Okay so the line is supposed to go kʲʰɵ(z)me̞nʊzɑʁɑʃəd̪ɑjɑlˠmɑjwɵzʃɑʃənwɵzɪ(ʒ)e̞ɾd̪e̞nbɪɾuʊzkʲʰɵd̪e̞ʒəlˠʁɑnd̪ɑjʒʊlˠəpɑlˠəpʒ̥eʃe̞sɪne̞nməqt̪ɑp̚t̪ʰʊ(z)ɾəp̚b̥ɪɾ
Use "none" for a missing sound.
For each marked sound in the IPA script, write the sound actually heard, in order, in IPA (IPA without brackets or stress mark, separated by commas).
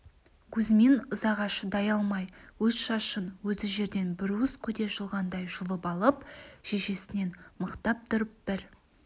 z, ʒ, none